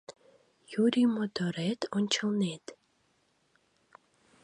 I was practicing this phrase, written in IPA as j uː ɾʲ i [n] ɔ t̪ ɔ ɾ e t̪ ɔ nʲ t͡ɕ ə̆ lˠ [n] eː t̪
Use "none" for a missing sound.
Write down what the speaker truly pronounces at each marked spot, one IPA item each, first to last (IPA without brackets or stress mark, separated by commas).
m, n